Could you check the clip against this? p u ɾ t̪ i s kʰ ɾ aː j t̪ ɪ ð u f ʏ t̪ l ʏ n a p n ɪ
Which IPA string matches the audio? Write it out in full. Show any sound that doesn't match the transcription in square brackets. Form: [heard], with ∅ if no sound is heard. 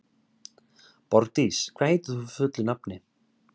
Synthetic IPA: p [ɔ] ɾ t̪ i s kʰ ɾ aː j t̪ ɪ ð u f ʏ t̪ l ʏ n a p n ɪ

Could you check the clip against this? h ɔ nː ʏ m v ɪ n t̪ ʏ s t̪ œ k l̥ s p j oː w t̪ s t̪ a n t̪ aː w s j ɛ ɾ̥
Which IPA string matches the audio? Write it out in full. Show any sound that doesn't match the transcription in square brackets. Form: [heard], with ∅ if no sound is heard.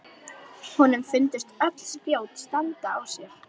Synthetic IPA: h ɔ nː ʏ m [f] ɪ n t̪ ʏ s t̪ œ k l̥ s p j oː w t̪ s t̪ a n t̪ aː w s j ɛ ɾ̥

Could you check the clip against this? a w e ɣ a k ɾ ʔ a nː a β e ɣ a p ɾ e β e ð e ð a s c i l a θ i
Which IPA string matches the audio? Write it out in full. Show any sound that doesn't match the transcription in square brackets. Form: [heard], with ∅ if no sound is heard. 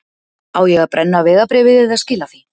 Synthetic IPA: a w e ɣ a [p] ɾ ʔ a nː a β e ɣ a p ɾ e β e ð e ð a s [k] i l a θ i

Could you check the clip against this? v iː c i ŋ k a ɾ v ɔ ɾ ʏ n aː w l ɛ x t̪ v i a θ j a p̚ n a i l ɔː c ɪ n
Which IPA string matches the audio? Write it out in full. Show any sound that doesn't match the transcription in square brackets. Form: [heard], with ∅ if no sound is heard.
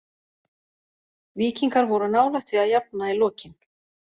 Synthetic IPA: v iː c i ŋ k a ɾ v ɔ ɾ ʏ n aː w l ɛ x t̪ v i a [ð] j a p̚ n a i l ɔː c ɪ n

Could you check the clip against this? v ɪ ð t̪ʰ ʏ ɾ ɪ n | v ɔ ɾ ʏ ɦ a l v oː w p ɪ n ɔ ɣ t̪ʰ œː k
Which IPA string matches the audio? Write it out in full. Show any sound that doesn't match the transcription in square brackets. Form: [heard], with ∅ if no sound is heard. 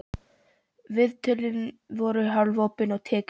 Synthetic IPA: v ɪ ð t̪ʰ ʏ [l] ɪ n | v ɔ ɾ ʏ ɦ a l v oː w p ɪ n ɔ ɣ t̪ʰ [ɛː] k

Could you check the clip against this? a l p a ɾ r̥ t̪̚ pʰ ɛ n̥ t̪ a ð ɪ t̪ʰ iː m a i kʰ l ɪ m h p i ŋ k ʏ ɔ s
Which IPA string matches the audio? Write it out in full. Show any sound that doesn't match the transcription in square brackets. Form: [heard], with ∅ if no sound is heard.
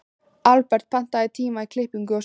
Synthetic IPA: a l p [ɛ] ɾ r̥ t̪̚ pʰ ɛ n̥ t̪ a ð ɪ t̪ʰ iː m a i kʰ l ɪ [∅] h p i ŋ k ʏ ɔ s

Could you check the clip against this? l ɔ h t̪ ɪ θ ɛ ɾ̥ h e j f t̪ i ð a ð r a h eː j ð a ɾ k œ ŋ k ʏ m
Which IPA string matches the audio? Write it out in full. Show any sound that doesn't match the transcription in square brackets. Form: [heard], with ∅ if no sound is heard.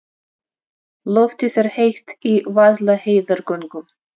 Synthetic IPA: l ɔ [f] t̪ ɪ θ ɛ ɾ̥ h e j [h] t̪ i [v] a ð [l] a h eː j ð a ɾ k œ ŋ k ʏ m

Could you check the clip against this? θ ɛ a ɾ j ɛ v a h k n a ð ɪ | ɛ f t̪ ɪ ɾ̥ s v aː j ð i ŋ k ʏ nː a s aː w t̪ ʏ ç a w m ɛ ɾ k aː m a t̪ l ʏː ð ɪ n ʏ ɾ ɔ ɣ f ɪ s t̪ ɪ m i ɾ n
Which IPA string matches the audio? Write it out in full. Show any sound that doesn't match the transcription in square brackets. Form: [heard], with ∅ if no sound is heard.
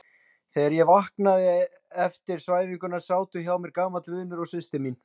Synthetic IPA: θ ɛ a ɾ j ɛ v a h k n a ð ɪ | ɛ f t̪ ɪ ɾ̥ s v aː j [v] i ŋ k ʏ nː a s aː w t̪ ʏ ç a w m ɛ ɾ k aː m a t̪ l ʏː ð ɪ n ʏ ɾ ɔ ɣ [s] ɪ s t̪ ɪ m i [∅] n

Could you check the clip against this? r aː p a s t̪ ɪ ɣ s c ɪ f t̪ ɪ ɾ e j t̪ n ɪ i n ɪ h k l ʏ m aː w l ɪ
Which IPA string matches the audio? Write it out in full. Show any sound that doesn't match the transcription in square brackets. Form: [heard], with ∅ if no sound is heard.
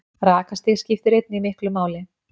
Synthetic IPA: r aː [k] a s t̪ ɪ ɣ s c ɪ f t̪ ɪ ɾ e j t̪ n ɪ i [m] ɪ h k l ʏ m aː w l ɪ

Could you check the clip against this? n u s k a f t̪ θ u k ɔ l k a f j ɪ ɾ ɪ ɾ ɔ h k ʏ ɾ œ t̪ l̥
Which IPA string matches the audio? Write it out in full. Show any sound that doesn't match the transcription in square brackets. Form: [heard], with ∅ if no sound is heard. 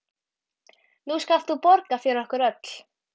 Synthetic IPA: n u s k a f t̪ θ u [p] ɔ [ɾ] k a f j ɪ ɾ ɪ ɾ ɔ h k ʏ ɾ œ t̪ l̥

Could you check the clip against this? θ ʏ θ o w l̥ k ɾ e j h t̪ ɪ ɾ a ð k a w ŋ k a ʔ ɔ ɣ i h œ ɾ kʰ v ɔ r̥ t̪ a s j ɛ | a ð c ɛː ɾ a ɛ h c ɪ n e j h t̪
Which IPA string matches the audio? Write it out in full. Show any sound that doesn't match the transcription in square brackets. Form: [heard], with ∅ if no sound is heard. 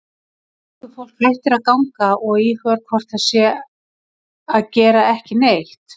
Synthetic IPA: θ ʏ [f] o w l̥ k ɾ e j h t̪ ɪ ɾ a ð k a w ŋ k a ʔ ɔ ɣ i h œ ɾ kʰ v ɔ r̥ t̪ a s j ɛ | a ð c ɛː ɾ a ɛ h c ɪ n e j h t̪

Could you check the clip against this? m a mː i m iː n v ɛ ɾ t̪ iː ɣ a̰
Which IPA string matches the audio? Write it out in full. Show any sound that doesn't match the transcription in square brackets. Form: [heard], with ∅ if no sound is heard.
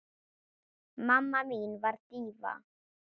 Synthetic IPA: m a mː [a] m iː n v [a] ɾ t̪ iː [v] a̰

